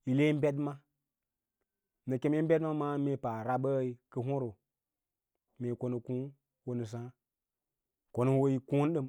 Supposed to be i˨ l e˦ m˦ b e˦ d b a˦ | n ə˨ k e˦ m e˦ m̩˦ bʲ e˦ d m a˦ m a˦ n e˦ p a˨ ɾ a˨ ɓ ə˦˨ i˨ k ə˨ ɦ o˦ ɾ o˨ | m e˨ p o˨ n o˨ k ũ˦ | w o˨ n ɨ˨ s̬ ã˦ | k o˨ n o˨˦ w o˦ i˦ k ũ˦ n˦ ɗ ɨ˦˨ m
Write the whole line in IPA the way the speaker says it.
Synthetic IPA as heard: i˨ l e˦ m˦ b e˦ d m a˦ | n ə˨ k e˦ m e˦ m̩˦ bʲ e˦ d m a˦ m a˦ m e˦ p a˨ ɾ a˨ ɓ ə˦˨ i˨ k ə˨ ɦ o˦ ɾ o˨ | m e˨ k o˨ n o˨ k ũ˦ | w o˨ n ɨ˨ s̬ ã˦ | k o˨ n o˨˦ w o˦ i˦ k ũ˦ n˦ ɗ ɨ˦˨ m